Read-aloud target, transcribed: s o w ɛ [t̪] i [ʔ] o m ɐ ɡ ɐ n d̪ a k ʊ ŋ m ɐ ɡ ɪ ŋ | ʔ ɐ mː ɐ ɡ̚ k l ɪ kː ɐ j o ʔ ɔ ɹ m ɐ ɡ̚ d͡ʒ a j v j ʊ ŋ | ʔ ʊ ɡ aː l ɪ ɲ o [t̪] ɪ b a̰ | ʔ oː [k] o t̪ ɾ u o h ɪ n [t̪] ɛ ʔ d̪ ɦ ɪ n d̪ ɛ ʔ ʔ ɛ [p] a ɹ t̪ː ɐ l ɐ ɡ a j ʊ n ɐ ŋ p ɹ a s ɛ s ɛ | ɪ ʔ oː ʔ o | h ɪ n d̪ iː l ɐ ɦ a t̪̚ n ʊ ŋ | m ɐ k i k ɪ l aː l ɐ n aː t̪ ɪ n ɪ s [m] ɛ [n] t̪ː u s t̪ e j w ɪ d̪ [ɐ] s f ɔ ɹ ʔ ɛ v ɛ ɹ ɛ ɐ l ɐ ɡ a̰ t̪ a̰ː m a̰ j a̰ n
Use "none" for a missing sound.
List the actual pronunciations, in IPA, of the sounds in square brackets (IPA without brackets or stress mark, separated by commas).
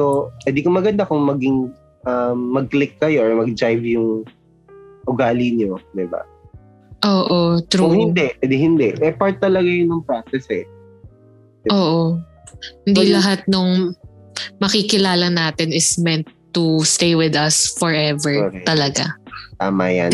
d̪, k, d̪, ʔ, d̪, p, m, n, ɐ